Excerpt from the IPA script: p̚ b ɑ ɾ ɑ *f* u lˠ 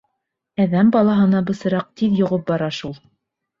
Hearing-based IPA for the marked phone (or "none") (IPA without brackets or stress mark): ʃ